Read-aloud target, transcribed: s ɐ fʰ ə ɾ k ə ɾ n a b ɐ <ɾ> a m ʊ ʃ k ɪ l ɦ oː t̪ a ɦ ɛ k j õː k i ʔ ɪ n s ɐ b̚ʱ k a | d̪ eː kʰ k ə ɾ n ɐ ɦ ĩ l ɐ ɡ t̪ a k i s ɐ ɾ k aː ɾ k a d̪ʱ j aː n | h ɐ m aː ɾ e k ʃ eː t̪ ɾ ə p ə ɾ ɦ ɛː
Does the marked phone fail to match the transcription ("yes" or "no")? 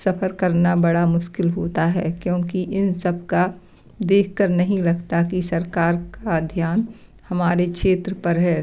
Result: yes